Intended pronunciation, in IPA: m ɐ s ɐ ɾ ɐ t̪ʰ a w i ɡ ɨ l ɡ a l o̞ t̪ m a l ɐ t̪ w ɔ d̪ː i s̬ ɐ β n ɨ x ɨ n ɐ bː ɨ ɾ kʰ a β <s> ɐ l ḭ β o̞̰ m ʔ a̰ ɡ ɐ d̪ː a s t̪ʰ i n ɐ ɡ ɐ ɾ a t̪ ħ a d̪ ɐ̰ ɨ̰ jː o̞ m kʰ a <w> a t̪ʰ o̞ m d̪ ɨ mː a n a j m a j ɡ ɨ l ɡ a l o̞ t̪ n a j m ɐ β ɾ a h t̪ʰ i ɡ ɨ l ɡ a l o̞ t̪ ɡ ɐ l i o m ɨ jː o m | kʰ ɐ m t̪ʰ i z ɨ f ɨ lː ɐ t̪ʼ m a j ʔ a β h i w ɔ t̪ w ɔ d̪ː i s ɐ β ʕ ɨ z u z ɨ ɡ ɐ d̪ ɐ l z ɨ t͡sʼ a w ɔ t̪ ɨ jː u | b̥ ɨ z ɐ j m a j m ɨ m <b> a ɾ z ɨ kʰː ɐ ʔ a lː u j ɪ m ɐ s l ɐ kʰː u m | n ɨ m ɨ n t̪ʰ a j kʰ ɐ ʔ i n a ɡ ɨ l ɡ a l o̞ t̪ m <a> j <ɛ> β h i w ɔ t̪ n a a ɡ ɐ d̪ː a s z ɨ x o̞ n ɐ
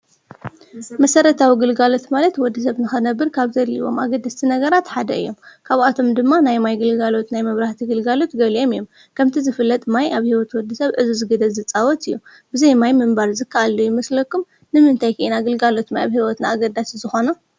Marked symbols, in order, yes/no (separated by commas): no, no, yes, yes, no